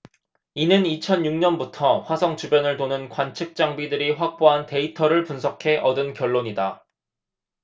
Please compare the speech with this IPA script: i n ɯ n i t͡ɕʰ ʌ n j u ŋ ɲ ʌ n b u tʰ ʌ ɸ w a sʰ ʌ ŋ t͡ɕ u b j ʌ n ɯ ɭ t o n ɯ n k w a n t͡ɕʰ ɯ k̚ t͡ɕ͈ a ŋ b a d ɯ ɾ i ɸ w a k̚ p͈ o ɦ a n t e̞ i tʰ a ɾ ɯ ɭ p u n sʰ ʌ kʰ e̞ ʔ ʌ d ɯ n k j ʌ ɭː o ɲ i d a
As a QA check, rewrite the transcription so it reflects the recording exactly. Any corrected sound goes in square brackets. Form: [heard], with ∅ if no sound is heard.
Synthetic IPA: i n ɯ n i t͡ɕʰ ʌ n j u ŋ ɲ ʌ n b u tʰ ʌ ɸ w a sʰ ʌ ŋ t͡ɕ u b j ʌ n ɯ ɭ t o n ɯ n k w a n t͡ɕʰ ɯ k̚ t͡ɕ͈ a ŋ b [i] d ɯ ɾ i ɸ w a k̚ p͈ o ɦ a n t e̞ i tʰ [ʌ] ɾ ɯ ɭ p u n sʰ ʌ kʰ e̞ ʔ ʌ d ɯ n k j ʌ ɭː o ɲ i d a